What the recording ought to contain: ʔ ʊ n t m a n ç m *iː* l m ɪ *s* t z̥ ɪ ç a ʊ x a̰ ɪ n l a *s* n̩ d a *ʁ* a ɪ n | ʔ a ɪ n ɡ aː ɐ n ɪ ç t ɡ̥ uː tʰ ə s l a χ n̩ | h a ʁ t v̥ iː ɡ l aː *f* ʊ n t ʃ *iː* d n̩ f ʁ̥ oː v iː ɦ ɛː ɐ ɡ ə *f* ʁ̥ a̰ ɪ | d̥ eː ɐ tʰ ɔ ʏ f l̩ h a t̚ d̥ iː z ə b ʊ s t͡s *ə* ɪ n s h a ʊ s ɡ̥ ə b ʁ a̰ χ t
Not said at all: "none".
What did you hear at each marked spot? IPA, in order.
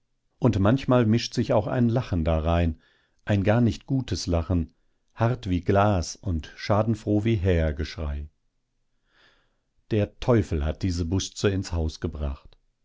aː, ʃ, χ, ʁ, s, aː, ʃ, ə

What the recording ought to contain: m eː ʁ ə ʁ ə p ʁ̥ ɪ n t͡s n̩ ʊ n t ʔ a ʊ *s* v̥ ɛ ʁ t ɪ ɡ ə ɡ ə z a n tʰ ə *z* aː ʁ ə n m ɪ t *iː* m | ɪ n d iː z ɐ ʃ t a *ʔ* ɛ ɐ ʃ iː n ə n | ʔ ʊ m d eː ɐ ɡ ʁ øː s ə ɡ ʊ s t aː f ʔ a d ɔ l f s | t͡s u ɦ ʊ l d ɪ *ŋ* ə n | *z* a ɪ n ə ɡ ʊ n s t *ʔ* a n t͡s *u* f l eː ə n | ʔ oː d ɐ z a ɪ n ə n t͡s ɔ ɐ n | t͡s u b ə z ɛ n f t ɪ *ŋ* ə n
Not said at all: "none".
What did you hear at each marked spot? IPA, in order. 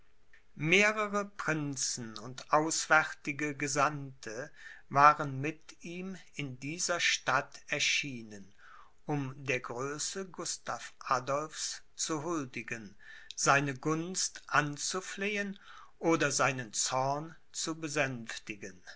s, v, iː, t, ɡ, z, ʔ, u, ɡ

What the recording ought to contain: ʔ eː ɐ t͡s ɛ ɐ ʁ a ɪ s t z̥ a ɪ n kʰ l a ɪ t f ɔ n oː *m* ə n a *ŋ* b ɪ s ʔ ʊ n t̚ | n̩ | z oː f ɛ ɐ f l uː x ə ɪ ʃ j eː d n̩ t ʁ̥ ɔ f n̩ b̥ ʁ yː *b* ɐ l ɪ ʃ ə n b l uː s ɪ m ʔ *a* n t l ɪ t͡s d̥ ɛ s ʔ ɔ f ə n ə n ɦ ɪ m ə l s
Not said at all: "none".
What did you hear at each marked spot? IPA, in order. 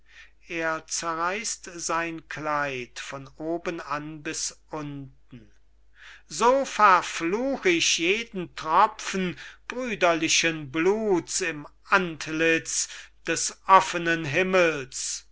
b, n, d, a

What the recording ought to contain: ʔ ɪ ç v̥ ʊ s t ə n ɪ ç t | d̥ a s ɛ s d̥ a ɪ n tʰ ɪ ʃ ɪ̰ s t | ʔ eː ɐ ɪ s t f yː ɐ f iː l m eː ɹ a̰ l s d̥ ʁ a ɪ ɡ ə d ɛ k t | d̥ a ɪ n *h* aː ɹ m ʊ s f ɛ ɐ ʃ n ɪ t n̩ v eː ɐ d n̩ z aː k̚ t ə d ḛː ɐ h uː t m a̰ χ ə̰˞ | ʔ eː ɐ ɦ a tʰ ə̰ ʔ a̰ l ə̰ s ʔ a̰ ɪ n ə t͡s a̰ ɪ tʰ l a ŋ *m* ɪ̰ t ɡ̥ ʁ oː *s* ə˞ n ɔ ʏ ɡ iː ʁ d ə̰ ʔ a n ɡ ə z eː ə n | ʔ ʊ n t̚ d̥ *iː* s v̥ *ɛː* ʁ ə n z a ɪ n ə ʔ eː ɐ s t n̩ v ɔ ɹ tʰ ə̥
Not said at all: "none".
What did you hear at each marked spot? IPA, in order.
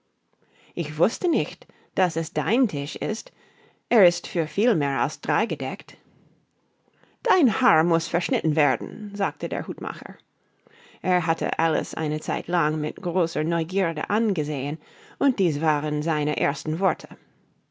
h, m, s, iː, aː

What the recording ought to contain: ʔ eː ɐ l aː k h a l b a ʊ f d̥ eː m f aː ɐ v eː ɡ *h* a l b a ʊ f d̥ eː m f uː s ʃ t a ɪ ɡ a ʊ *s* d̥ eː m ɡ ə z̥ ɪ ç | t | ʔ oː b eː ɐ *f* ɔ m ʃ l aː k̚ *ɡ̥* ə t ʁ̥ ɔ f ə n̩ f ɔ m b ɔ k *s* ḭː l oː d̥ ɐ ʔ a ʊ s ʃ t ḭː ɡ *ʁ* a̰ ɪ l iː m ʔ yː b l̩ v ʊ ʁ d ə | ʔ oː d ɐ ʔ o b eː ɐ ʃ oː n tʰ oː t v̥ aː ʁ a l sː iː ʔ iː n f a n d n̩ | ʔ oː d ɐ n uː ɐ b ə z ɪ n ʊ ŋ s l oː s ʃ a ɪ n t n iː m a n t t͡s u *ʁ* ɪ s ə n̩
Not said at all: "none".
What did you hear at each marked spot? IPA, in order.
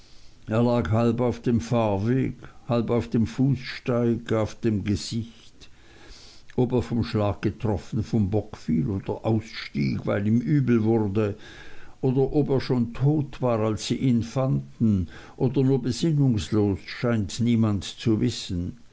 h, f, f, ɡ̥, f, v, v

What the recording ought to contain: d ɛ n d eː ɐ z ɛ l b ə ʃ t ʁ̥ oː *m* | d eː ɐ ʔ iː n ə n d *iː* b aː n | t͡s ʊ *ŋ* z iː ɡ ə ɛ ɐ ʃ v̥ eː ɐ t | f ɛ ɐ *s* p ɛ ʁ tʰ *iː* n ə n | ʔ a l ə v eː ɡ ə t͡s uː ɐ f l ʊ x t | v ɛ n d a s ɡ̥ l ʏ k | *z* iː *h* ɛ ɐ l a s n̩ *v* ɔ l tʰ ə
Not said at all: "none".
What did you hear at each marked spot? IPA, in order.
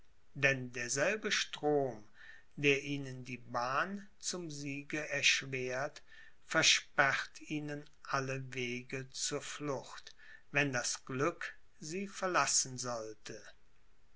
m, iː, m, ʃ, iː, z, f, z

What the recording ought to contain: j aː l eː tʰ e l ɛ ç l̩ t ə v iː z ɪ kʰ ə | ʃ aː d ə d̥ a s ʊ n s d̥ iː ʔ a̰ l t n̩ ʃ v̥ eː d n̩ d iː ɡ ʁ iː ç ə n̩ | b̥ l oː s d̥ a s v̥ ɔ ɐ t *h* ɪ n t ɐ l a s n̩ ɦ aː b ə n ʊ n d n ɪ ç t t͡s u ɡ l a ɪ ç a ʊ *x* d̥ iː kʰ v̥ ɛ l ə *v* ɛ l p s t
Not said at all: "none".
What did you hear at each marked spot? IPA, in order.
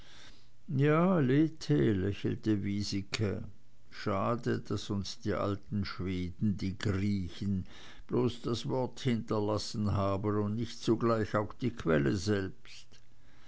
h, x, z

